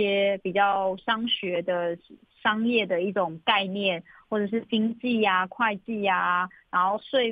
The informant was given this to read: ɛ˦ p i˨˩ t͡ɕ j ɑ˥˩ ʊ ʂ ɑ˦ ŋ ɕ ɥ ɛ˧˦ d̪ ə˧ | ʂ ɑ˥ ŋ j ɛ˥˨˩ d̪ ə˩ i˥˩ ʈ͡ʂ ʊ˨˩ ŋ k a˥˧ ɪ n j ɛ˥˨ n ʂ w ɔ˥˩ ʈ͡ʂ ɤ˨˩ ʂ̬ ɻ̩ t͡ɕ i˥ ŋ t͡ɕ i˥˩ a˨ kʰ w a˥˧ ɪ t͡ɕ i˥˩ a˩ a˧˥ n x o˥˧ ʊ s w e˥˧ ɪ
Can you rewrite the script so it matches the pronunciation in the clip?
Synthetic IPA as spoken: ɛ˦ p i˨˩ t͡ɕ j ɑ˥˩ ʊ ʂ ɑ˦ ŋ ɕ ɥ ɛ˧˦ d̪ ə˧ | ʂ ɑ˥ ŋ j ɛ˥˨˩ d̪ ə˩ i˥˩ ʈ͡ʂ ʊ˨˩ ŋ k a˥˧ ɪ n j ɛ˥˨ n x w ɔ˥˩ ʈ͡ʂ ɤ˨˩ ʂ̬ ɻ̩ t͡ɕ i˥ ŋ t͡ɕ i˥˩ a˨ kʰ w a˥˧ ɪ t͡ɕ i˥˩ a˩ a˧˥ n x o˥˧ ʊ s w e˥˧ ɪ